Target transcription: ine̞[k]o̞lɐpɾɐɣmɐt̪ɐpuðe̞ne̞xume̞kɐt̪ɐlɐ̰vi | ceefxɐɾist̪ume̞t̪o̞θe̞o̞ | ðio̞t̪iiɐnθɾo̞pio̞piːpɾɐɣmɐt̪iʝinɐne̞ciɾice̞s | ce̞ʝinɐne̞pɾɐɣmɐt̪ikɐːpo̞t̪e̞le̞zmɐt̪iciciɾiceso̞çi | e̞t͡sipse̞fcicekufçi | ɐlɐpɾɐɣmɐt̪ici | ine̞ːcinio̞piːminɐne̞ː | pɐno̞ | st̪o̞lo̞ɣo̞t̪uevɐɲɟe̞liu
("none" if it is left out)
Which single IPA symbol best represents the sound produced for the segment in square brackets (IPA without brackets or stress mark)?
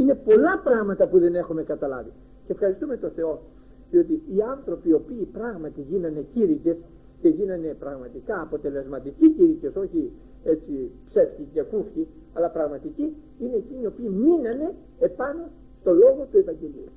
p